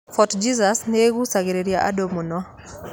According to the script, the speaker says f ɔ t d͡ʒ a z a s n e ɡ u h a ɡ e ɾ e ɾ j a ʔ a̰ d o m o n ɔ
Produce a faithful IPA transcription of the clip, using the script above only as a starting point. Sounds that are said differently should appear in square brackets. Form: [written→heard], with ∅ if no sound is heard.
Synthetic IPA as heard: f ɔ t d͡ʒ [a→i] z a s n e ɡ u [h→s] a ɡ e ɾ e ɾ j a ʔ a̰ d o m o n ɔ

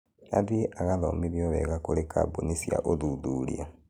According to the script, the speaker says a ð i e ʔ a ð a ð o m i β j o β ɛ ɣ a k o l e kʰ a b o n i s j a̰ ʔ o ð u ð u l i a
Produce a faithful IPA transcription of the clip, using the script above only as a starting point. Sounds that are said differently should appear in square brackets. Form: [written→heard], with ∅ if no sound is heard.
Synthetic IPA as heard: a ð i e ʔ a [ð→ɣ] a ð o m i β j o β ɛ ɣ a k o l e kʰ a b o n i s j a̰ ʔ o ð u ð u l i a

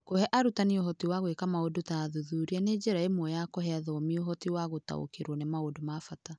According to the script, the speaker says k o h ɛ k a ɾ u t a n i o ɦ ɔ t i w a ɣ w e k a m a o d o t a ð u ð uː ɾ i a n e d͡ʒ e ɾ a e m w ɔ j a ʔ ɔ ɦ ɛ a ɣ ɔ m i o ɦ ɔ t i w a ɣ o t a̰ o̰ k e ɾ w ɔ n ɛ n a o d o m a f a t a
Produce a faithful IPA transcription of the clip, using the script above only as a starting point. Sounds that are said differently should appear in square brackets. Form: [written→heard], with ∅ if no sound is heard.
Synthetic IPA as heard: k o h ɛ [k→ʔ] a ɾ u t a n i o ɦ ɔ t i w a ɣ w e k a m a o d o t a ð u ð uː ɾ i a n e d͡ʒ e ɾ a e m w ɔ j a [ʔ→k] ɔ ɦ ɛ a [ɣ→ð] ɔ m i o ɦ ɔ t i w a ɣ o t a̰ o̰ k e ɾ w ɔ n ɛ [n→m] a o d o m a f a t a

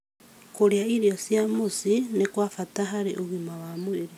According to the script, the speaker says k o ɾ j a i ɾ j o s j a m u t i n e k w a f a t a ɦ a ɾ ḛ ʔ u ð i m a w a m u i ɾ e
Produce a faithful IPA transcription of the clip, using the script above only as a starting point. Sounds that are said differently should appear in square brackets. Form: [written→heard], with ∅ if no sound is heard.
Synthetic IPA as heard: k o ɾ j a i ɾ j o s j a m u [t→s] i n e k w a f a t a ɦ a ɾ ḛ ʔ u [ð→ɣ] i m a w a m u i ɾ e

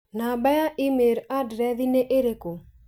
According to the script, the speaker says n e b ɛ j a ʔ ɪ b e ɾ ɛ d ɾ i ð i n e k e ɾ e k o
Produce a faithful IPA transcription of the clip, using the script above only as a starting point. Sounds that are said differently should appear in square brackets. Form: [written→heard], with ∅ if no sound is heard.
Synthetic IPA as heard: n [e→a] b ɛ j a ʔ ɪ [b→m] e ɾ [ɛ→a] d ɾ [i→ɛ] ð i n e [k→ʔ] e ɾ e k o

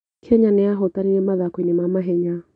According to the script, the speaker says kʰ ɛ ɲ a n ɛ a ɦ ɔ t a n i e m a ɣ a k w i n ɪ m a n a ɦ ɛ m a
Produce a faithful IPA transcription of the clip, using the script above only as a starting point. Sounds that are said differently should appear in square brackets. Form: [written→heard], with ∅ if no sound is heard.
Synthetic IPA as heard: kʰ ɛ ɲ a n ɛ a ɦ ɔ t a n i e m a [ɣ→ð] a k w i n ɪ m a [n→m] a ɦ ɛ [m→ɲ] a

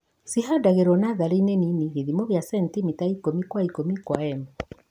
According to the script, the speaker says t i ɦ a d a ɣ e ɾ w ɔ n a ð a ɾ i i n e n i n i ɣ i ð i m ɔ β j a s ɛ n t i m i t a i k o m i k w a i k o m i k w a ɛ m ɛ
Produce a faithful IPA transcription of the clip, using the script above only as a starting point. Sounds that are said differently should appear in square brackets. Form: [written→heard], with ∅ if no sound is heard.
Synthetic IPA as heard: [t→s] i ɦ a d a ɣ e ɾ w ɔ n a ð a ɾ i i n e n i n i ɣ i ð i m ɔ β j a s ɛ n t i m i t a i k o m i k w a i k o m i k w a ɛ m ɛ

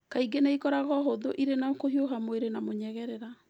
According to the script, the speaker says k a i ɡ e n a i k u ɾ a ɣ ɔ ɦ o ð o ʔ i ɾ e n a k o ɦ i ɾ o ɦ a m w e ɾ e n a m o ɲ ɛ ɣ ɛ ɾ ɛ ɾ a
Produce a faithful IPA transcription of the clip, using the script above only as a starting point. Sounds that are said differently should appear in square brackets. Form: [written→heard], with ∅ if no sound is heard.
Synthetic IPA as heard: k a i ɡ e n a i k [u→ɔ] ɾ a ɣ ɔ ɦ o ð o ʔ i ɾ e n a k o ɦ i [ɾ→∅] o ɦ a m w e ɾ e n a m o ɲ ɛ ɣ ɛ ɾ ɛ ɾ a

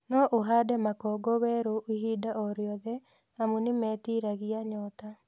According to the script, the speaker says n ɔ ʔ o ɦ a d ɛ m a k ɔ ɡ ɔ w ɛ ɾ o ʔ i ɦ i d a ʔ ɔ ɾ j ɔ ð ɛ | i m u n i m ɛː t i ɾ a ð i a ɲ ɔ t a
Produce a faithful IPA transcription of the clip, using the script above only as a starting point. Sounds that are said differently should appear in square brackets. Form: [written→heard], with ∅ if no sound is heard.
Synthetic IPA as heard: n ɔ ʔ o ɦ a d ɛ m a k ɔ ɡ ɔ w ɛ ɾ o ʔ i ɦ i d a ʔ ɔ ɾ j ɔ ð ɛ | [i→a] m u n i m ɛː t i ɾ a [ð→ɣ] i a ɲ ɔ t a

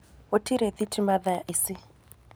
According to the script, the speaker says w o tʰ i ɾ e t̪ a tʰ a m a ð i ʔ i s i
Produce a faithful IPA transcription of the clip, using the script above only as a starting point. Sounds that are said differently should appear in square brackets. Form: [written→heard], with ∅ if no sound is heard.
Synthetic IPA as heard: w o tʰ i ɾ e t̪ [a→i] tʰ [a→i] m a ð [i→a] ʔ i s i

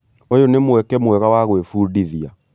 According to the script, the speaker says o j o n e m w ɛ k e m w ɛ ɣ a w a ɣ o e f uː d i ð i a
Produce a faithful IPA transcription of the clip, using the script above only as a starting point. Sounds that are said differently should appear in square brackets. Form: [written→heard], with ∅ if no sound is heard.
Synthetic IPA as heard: o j o n e m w ɛ k [e→ɛ] m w ɛ ɣ a w a ɣ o e f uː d i ð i a

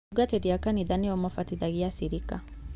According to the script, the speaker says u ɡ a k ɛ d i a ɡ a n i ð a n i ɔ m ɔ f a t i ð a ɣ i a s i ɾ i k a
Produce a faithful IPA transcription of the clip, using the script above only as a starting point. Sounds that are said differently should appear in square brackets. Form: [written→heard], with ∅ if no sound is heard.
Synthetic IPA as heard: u ɡ a [k→t] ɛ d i a [ɡ→k] a n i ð a n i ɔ m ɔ f a t i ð a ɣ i a s i ɾ i k a

